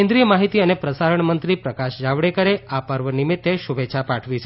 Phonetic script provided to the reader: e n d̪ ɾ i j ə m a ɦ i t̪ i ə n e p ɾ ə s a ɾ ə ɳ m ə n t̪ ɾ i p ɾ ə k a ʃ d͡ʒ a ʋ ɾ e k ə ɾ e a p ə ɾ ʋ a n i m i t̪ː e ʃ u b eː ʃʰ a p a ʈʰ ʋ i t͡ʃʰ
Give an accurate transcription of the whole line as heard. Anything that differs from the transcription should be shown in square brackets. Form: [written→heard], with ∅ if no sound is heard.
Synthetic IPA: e n d̪ ɾ i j ə m a ɦ i t̪ i ə n e p ɾ ə s a ɾ ə ɳ m ə n t̪ ɾ i p ɾ ə k a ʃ d͡ʒ a ʋ [ɾ→ɽ] e k ə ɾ e a p ə ɾ ʋ [a→ə] n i m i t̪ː e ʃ u b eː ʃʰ a p a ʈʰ ʋ i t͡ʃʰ